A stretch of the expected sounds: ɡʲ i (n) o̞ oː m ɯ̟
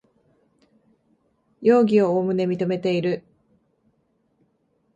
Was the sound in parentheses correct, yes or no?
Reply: no